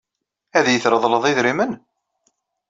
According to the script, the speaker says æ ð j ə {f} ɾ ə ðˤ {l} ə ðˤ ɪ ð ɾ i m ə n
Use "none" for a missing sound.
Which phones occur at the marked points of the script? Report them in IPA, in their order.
θ, l

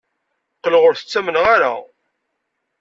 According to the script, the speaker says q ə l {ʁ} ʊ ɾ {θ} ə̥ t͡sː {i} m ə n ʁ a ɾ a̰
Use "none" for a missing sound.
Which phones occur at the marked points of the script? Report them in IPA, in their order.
ʁ, θ, æ

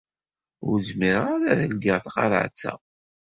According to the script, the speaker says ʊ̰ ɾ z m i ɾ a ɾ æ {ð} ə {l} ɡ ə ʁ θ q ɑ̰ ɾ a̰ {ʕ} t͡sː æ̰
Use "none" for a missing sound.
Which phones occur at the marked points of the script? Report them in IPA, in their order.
ð, l, ʕ

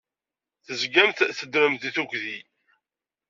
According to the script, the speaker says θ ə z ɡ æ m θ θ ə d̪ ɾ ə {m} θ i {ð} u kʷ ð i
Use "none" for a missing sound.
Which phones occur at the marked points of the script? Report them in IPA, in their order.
m, θ

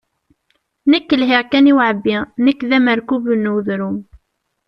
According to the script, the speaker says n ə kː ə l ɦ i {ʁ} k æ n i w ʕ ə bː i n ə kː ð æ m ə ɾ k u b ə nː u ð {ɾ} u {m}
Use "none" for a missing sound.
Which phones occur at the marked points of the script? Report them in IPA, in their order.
ʁ, ɾ, m

